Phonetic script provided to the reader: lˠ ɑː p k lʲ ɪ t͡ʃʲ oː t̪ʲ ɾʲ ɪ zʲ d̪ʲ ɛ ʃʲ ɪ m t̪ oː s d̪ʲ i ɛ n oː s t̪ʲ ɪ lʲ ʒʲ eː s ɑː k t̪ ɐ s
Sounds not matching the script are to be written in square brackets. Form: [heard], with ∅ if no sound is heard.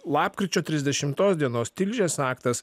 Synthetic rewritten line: lˠ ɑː p k [ɾʲ] ɪ t͡ʃʲ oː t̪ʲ ɾʲ ɪ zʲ d̪ʲ ɛ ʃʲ ɪ m t̪ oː s d̪ʲ i ɛ n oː s t̪ʲ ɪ lʲ ʒʲ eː s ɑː k t̪ ɐ s